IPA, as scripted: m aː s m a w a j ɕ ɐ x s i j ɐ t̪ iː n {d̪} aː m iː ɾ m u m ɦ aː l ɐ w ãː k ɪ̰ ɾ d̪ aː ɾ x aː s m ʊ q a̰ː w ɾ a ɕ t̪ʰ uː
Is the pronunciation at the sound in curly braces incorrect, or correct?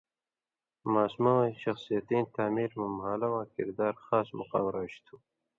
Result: incorrect